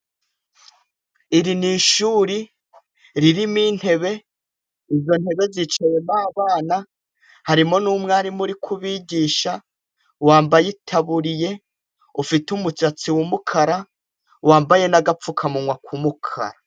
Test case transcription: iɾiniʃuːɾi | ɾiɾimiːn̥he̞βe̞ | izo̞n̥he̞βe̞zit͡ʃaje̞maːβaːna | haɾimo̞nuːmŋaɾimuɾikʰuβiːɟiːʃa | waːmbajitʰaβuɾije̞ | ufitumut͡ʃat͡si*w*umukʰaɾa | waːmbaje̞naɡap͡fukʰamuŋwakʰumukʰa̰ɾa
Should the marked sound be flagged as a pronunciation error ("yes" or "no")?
no